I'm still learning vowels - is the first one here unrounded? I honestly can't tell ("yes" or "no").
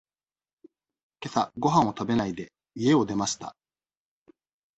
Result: yes